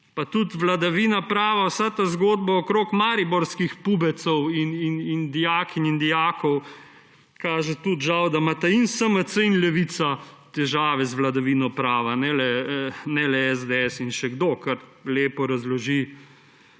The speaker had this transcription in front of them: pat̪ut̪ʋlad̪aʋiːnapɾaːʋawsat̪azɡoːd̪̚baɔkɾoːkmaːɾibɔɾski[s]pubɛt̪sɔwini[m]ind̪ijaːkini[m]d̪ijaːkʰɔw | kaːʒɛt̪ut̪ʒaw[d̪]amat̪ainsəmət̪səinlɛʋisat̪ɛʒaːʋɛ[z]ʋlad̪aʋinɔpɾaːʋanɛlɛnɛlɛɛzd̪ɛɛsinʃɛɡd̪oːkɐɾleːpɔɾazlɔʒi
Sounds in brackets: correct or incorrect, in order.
incorrect: x, incorrect: n, incorrect: n, correct, correct

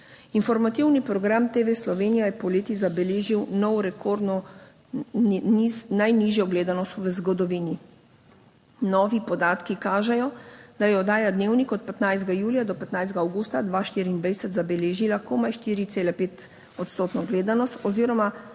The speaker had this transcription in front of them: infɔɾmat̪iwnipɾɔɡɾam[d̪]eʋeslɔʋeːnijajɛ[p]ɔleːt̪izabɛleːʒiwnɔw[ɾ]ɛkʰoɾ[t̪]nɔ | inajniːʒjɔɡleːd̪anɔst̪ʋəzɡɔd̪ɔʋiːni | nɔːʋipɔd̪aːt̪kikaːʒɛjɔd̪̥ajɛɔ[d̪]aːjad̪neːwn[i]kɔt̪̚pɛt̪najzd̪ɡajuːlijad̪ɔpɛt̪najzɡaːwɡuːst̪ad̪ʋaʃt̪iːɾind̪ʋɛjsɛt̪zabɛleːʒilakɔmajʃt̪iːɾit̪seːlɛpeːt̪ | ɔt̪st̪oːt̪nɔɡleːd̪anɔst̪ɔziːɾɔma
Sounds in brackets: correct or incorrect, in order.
incorrect: t̪, correct, correct, incorrect: d̪, correct, correct

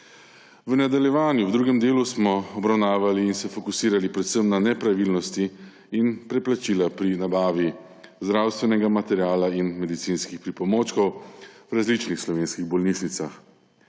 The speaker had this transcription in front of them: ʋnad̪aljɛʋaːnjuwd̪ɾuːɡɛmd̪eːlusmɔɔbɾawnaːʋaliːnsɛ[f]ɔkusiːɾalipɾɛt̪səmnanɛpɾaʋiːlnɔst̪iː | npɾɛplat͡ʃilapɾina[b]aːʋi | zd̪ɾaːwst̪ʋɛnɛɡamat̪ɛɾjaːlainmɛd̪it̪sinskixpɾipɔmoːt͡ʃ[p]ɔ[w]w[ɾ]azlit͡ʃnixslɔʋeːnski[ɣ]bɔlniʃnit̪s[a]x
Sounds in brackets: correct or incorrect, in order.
correct, correct, incorrect: k, correct, correct, correct, correct

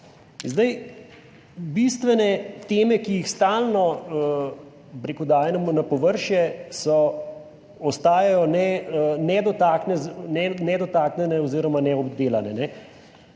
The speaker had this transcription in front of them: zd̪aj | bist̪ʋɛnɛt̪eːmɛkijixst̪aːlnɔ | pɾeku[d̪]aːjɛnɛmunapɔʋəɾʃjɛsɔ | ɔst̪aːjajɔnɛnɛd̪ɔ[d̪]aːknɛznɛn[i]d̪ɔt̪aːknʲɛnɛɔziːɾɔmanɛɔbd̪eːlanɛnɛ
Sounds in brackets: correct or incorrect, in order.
correct, incorrect: t̪, incorrect: ɛ

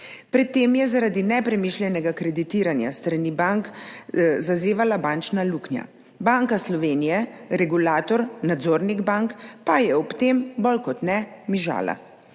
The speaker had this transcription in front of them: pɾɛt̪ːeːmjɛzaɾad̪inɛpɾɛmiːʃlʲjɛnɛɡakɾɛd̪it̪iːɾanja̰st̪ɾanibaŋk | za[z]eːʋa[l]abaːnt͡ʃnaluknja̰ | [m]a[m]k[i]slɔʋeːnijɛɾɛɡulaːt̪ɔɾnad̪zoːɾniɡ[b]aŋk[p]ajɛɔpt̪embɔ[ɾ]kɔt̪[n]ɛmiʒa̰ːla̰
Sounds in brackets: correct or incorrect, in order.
correct, correct, incorrect: b, incorrect: ŋ, incorrect: a, correct, correct, incorrect: l, correct

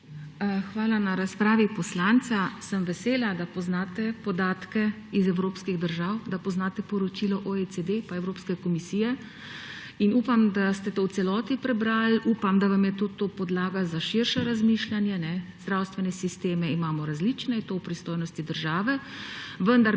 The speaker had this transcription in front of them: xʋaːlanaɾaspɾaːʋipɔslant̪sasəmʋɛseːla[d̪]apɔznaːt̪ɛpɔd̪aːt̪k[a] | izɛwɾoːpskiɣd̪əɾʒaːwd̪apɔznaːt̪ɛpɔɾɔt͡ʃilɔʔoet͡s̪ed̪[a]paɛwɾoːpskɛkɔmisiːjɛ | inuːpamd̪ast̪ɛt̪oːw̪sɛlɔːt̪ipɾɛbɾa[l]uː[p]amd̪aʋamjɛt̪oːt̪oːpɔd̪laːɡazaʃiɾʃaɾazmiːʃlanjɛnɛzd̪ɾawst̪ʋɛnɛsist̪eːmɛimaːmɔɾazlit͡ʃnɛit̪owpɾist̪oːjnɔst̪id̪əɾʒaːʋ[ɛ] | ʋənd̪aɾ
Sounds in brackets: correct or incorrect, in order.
correct, incorrect: ɛ, incorrect: e, correct, correct, correct

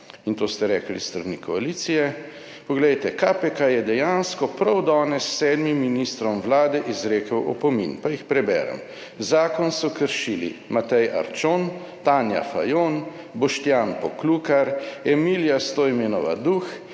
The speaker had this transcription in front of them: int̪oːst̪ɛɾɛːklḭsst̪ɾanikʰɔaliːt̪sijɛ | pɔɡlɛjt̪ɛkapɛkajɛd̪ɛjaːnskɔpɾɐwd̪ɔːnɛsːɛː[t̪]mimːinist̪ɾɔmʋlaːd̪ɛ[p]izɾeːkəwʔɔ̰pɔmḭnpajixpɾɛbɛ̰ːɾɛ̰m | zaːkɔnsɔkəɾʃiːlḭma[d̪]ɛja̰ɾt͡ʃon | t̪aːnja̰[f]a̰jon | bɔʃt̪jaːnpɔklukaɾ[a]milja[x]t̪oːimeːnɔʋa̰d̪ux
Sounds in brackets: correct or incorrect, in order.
incorrect: d̪, incorrect: ʔ, incorrect: t̪, correct, incorrect: ɛ, incorrect: s

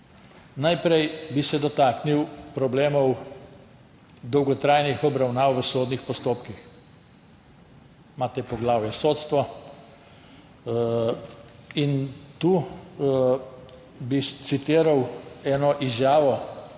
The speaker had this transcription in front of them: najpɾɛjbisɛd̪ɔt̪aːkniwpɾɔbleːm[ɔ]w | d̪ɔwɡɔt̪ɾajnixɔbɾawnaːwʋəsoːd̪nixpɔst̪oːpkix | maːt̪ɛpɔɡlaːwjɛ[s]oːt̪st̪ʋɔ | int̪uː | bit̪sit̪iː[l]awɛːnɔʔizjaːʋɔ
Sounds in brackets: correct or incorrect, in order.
correct, correct, incorrect: ɾ

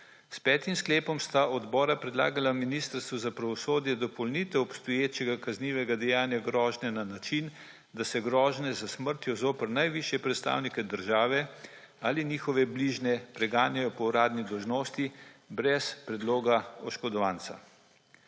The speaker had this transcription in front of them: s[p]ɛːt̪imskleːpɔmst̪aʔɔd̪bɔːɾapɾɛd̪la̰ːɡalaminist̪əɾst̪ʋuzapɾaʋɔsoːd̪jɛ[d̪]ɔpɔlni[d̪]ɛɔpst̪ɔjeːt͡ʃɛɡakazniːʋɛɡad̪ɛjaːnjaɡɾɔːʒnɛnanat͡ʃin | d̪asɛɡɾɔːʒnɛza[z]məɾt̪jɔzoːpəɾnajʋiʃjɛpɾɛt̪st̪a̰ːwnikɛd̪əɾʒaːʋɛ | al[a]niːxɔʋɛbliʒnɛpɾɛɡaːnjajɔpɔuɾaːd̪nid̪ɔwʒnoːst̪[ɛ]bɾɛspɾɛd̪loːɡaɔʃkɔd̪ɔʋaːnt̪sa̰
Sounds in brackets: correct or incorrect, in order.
correct, correct, incorrect: t̪, incorrect: s, incorrect: i, incorrect: i

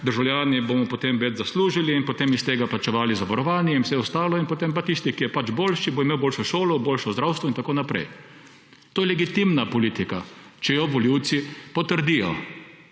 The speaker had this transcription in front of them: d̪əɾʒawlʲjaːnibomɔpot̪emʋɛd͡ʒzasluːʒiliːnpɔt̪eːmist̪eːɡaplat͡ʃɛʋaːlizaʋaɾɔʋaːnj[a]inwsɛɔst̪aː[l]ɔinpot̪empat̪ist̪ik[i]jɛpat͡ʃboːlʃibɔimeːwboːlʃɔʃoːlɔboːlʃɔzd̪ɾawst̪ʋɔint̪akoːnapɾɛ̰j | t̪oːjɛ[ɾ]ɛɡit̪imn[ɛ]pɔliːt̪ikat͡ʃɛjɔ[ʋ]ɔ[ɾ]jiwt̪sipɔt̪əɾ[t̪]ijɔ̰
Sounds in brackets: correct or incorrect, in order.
incorrect: ɛ, correct, correct, incorrect: l, incorrect: a, correct, incorrect: l, incorrect: d̪

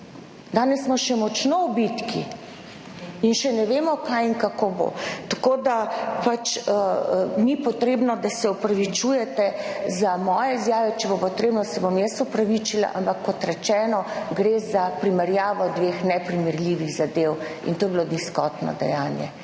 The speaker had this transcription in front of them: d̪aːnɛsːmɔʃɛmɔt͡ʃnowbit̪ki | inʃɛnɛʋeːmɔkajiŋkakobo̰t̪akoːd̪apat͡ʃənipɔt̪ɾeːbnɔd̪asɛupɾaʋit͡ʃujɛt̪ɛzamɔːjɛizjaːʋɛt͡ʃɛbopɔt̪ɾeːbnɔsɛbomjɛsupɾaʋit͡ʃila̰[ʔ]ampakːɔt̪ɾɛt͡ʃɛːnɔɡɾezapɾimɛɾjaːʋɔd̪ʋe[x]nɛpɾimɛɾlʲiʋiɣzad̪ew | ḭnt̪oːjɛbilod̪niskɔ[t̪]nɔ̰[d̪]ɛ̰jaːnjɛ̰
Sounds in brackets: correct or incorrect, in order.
correct, correct, correct, correct

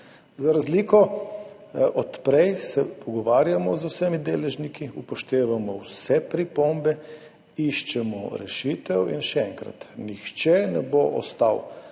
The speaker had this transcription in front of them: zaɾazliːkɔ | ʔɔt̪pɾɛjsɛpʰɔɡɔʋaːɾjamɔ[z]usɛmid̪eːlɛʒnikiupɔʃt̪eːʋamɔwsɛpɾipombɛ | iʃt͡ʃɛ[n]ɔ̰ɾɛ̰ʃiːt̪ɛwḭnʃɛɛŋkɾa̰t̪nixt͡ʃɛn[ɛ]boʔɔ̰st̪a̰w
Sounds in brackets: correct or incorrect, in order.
correct, incorrect: m, correct

